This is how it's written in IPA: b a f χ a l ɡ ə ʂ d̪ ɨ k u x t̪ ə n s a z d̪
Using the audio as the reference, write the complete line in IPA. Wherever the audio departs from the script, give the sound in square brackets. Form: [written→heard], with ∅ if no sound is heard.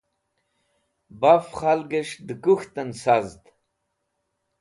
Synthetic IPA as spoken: b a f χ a l ɡ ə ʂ d̪ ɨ k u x t̪ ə n s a z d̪